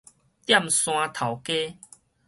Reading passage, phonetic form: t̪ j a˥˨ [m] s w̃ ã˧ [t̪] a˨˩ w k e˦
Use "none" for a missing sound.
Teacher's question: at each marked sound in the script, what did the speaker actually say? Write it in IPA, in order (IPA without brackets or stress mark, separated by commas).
m, t̪ʰ